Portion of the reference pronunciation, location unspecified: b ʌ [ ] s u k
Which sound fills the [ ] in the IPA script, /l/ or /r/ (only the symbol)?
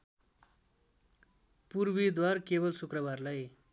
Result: l